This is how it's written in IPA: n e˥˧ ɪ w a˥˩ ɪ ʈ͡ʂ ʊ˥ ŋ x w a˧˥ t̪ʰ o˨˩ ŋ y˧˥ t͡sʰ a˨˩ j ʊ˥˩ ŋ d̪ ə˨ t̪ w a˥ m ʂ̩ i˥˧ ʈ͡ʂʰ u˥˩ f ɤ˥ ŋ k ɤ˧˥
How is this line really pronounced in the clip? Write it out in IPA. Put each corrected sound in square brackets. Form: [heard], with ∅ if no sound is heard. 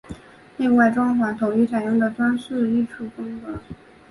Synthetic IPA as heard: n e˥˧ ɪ w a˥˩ ɪ ʈ͡ʂ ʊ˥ ŋ x w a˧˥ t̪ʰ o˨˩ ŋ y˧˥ t͡sʰ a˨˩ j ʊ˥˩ ŋ d̪ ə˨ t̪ w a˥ [n] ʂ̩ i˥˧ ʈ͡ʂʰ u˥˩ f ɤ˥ ŋ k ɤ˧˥

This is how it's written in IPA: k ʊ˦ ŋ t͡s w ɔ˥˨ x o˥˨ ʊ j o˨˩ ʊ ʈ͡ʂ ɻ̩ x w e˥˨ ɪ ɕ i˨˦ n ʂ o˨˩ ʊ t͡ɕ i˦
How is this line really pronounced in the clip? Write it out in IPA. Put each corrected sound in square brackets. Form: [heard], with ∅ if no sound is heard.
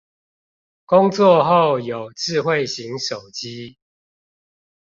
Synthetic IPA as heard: k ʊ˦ ŋ t͡s w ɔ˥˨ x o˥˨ ʊ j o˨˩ ʊ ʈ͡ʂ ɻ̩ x w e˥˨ ɪ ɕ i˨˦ [ŋ] ʂ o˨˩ ʊ t͡ɕ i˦

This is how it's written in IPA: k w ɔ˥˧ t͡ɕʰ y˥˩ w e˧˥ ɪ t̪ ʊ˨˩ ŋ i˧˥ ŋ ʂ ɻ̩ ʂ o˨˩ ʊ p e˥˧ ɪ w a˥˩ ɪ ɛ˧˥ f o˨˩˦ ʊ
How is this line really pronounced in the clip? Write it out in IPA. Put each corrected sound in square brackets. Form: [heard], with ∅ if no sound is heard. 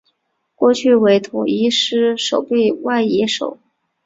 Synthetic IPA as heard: k w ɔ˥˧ t͡ɕʰ y˥˩ w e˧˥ ɪ [t̪ʰ] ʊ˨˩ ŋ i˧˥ [∅] ʂ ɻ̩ ʂ o˨˩ ʊ p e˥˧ ɪ w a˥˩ ɪ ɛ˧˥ [ʂ] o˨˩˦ ʊ

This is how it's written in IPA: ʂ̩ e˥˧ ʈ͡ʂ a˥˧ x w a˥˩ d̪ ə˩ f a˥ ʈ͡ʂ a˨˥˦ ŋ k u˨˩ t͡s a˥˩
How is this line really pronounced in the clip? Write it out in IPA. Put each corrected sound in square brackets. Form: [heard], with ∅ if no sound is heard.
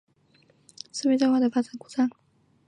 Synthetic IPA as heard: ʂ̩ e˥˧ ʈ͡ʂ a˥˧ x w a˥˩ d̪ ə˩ f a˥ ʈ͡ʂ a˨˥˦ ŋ k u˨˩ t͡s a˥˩

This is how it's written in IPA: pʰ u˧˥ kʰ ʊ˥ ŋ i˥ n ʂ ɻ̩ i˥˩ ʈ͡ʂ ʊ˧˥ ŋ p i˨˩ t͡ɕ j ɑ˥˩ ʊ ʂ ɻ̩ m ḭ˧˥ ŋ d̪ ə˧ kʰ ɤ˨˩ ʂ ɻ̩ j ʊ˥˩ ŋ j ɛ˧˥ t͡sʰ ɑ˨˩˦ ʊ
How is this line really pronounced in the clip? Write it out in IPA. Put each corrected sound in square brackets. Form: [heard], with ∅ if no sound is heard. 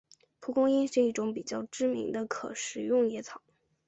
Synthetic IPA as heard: pʰ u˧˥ [k] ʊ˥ ŋ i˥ n ʂ ɻ̩ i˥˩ ʈ͡ʂ ʊ˧˥ ŋ p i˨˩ t͡ɕ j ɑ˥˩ ʊ [ʈ͡ʂ] ɻ̩ m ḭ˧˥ ŋ d̪ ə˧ kʰ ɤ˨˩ ʂ ɻ̩ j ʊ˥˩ ŋ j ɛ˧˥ t͡sʰ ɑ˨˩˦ ʊ

